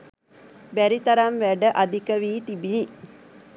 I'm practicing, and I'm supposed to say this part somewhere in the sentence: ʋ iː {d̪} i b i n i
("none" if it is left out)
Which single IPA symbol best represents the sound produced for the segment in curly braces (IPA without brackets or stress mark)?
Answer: t̪